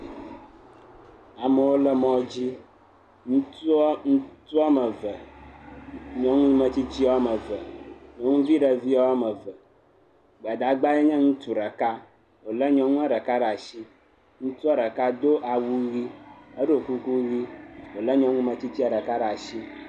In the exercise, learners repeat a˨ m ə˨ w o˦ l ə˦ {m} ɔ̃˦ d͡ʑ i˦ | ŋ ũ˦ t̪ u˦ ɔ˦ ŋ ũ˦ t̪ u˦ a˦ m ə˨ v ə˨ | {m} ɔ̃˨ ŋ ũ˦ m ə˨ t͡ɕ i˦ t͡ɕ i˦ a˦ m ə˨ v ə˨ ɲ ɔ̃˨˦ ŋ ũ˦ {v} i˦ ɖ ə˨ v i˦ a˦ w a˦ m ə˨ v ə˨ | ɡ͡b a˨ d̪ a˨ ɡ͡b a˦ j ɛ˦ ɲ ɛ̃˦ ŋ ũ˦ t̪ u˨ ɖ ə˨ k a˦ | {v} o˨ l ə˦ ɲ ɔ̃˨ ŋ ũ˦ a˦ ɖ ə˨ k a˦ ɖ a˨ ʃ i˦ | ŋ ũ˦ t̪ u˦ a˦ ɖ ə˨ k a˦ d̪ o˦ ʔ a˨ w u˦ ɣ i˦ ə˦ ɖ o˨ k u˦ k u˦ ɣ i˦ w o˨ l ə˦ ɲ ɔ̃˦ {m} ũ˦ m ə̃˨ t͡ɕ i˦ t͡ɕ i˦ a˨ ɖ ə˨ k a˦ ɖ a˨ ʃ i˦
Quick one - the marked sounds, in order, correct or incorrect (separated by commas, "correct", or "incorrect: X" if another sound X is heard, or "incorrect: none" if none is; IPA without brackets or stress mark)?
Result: correct, incorrect: ɲ, correct, incorrect: w, incorrect: ŋ